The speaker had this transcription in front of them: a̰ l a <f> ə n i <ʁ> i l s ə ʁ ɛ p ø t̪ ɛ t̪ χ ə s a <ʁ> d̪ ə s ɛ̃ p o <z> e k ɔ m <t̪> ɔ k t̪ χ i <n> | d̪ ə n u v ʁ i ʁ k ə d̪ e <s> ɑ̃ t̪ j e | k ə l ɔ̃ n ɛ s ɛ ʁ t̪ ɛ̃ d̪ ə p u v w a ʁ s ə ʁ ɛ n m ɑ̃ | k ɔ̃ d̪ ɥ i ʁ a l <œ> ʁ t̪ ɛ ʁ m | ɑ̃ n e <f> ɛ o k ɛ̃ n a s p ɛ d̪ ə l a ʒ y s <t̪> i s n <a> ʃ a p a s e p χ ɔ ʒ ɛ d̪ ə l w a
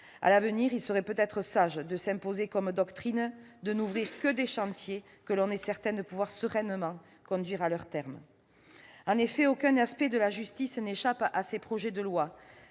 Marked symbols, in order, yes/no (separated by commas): no, yes, no, yes, no, yes, no, yes, yes, yes, no